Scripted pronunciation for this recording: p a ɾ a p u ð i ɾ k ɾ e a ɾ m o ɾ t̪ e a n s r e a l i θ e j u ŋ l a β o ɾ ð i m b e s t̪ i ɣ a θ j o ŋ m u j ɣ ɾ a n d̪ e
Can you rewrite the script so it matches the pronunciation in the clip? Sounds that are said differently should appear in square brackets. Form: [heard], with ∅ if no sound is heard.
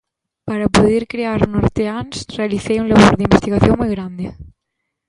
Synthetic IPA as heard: p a ɾ a p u ð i ɾ k ɾ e a ɾ [n] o ɾ t̪ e a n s r e a l i θ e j u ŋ l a β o ɾ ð i m b e s t̪ i ɣ a θ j o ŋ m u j ɣ ɾ a n d̪ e